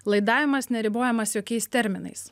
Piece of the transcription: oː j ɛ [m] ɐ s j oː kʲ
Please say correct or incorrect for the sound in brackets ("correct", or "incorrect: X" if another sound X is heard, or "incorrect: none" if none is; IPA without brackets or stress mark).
correct